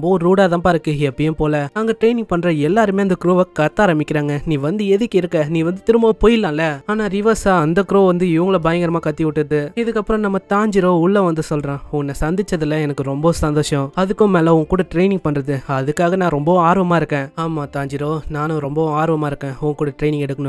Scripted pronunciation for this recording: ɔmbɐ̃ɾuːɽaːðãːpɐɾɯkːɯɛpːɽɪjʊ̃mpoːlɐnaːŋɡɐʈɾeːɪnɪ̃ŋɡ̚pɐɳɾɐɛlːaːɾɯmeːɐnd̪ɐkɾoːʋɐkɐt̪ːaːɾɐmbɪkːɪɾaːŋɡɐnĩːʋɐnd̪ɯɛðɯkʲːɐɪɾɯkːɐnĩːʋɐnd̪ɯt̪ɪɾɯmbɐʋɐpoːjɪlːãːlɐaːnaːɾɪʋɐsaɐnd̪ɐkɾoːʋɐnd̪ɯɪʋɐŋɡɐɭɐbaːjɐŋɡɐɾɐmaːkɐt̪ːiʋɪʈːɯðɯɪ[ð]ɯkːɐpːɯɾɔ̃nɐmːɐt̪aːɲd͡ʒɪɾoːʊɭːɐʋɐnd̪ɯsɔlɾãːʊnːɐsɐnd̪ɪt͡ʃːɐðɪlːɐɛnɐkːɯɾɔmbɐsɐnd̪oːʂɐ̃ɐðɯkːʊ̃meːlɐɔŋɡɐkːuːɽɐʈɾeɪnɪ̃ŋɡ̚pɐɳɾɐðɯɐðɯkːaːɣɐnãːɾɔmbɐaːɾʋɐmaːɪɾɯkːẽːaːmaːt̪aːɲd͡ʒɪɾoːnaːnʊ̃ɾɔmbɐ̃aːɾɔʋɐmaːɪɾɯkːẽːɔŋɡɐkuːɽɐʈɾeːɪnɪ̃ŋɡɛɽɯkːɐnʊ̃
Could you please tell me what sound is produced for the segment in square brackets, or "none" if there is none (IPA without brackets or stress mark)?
ð